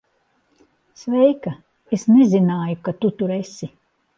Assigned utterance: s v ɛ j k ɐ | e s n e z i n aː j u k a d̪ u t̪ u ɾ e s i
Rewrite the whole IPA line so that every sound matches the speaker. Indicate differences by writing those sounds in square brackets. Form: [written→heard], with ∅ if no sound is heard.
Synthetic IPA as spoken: s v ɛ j k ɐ | e s n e z i n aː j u k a [d̪→t̪] u t̪ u ɾ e s i